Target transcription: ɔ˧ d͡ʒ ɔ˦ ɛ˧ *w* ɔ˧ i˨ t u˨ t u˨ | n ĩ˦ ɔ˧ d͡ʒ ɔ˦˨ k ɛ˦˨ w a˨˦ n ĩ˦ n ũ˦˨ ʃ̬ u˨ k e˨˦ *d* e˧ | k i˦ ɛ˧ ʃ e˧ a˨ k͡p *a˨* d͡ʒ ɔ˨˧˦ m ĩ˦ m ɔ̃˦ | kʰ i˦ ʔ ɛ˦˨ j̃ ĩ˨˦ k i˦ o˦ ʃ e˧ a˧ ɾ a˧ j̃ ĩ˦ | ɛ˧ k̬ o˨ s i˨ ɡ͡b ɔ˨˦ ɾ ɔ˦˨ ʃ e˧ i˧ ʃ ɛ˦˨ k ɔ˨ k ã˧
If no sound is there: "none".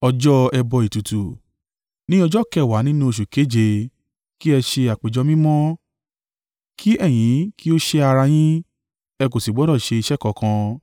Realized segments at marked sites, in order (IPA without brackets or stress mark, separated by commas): b, d͡ʒ, e˨